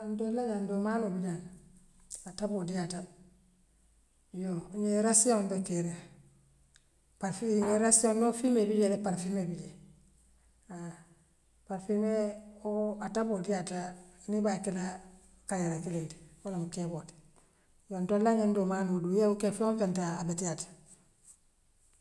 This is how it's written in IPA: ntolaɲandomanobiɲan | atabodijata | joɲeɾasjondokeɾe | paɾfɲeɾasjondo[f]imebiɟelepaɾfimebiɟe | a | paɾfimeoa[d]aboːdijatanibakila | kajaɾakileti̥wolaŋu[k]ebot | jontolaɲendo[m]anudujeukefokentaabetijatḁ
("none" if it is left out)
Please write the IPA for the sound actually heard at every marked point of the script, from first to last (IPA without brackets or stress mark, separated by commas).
f, t, k, m